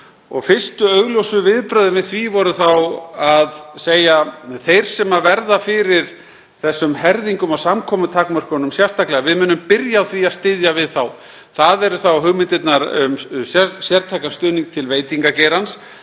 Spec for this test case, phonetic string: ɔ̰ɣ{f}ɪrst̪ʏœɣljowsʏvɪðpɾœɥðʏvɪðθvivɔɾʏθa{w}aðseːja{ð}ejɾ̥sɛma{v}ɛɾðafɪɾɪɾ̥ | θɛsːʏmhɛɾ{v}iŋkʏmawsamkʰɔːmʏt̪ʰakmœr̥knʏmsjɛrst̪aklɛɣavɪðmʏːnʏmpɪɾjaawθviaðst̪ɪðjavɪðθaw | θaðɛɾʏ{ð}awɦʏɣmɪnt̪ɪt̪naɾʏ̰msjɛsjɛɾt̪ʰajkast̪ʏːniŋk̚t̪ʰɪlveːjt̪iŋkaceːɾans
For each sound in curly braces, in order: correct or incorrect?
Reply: correct, correct, incorrect: θ, correct, incorrect: ð, incorrect: θ

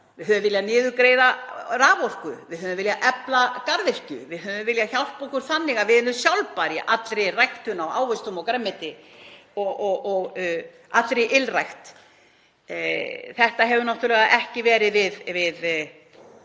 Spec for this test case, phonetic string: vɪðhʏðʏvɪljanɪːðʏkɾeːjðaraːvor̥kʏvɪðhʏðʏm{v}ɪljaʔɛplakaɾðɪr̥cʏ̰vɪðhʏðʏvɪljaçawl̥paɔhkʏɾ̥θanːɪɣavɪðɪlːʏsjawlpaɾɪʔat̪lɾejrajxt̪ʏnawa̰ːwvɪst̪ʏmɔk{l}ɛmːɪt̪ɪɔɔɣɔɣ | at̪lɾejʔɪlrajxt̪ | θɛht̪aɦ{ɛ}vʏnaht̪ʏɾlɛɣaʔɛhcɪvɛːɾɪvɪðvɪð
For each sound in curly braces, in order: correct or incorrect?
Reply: correct, incorrect: ɾ, correct

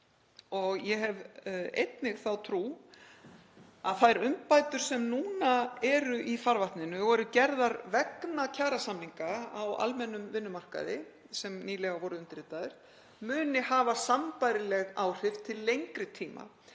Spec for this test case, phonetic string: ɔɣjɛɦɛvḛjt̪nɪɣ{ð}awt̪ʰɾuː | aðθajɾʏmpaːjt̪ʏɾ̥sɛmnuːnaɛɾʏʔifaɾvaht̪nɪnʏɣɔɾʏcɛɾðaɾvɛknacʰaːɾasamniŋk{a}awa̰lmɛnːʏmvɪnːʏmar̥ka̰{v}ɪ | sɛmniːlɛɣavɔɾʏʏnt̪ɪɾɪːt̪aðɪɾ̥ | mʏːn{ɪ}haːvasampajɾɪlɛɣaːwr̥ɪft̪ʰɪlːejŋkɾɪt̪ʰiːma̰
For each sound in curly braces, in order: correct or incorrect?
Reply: incorrect: θ, correct, incorrect: ð, correct

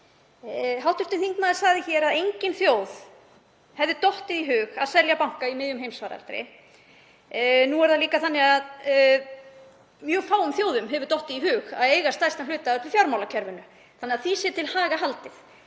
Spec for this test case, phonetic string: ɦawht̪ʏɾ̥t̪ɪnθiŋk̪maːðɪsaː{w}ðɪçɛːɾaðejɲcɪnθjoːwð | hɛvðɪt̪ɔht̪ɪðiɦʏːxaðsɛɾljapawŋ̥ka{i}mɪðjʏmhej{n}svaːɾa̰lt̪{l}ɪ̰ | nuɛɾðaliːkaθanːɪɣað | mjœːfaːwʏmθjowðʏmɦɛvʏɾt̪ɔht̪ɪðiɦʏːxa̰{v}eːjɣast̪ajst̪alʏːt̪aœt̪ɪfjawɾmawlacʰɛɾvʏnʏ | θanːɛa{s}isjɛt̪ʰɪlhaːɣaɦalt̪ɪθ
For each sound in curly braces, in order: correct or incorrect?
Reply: incorrect: ɣ, correct, incorrect: m, incorrect: ɾ, incorrect: ð, incorrect: θ

